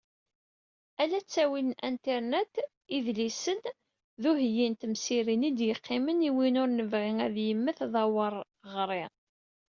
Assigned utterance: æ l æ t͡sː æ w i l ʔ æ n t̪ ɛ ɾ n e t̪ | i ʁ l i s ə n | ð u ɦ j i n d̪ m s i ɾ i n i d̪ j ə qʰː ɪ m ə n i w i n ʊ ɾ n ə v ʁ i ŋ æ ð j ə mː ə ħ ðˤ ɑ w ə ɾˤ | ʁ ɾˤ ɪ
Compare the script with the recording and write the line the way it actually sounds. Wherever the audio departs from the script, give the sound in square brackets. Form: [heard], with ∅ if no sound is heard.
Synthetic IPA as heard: æ l æ t͡sː æ w i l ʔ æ n t̪ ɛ ɾ n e t̪ | i [ð] l i s ə n | ð u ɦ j i n [t̪] m s i ɾ i n i d̪ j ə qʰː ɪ m ə n i w i n ʊ ɾ n ə v ʁ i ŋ æ ð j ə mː ə [θ] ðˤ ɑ w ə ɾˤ | ʁ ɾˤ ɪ